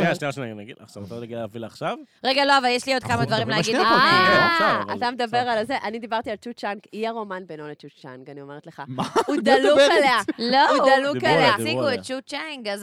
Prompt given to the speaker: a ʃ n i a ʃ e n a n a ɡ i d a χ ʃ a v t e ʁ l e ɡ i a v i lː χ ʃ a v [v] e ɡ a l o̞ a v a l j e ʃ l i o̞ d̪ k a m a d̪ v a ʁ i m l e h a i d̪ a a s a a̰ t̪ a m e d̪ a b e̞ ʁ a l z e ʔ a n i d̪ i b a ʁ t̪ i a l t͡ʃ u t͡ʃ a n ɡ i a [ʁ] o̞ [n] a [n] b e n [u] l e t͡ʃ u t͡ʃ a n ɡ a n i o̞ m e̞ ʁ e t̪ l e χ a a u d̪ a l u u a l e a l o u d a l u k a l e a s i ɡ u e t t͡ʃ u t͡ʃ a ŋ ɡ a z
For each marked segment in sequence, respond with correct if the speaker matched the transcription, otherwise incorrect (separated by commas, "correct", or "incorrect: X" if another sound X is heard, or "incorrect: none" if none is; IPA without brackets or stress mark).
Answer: incorrect: ʁ, correct, incorrect: m, correct, incorrect: o